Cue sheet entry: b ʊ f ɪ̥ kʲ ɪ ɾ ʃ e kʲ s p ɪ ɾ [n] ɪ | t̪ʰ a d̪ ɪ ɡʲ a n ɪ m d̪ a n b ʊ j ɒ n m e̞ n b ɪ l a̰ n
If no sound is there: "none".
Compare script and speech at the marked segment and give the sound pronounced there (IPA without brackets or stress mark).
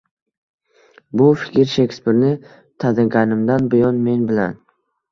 n